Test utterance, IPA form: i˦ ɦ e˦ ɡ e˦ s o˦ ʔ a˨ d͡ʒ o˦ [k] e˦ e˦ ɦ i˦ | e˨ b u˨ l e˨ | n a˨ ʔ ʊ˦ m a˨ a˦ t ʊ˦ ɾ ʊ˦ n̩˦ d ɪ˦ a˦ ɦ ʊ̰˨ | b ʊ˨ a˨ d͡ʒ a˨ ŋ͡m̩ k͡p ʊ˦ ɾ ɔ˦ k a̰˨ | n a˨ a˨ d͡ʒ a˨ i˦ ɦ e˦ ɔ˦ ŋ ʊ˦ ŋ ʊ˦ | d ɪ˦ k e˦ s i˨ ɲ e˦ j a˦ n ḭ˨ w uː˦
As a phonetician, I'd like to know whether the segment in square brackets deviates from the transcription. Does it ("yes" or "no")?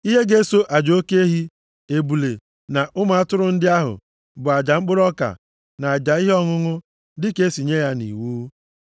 no